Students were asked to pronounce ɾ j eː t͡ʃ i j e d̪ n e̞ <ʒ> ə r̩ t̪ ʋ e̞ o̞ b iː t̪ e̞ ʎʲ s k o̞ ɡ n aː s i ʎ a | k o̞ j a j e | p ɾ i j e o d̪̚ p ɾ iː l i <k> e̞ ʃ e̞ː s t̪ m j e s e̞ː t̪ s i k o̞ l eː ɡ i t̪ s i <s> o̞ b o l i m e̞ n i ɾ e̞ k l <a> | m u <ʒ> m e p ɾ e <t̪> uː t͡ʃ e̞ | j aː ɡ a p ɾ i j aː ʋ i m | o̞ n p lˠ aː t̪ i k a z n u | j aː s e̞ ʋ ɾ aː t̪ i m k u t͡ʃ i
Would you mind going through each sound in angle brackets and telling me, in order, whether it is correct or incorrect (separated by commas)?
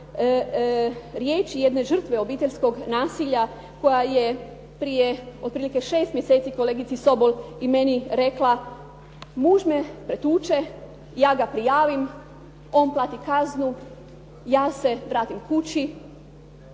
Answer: correct, correct, correct, correct, correct, correct